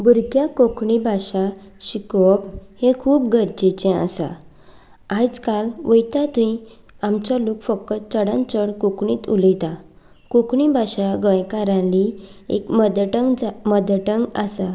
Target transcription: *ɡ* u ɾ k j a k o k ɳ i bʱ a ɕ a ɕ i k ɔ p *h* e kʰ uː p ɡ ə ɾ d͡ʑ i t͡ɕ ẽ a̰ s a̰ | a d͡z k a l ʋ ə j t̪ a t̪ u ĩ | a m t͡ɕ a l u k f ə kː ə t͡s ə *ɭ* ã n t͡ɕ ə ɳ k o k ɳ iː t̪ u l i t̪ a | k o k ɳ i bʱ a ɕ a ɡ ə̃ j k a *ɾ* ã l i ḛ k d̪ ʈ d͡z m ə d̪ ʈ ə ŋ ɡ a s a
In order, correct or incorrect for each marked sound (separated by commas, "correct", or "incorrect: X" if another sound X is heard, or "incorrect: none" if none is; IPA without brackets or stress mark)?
incorrect: b, correct, incorrect: ɽ, correct